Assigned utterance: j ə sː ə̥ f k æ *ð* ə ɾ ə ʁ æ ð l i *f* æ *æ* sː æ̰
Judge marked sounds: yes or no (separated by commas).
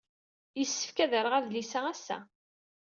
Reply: yes, no, yes